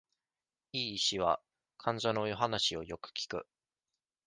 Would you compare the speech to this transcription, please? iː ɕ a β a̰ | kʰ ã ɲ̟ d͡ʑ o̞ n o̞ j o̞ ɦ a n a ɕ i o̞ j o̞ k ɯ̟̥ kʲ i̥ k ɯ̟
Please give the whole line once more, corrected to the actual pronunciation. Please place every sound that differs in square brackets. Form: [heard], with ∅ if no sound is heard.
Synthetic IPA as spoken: iː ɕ [i] β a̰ | kʰ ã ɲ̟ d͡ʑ o̞ n o̞ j o̞ ɦ a n a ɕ i o̞ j o̞ k ɯ̟̥ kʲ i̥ k ɯ̟